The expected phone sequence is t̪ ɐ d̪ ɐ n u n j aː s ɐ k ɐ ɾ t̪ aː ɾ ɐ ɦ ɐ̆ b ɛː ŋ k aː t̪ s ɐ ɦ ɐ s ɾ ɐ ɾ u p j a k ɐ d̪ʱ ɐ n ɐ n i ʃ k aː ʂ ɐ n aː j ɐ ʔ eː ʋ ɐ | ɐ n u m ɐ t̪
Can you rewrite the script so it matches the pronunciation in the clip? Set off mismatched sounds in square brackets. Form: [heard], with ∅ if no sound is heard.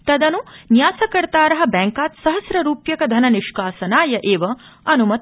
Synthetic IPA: t̪ ɐ d̪ ɐ n u n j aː s ɐ k ɐ ɾ t̪ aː ɾ ɐ ɦ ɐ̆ b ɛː ŋ k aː t̪ s ɐ ɦ ɐ s ɾ ɐ ɾ [uː] p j [ɐ] k ɐ d̪ʱ ɐ n ɐ n i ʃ k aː [s] ɐ n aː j ɐ ʔ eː ʋ ɐ | ɐ n u m ɐ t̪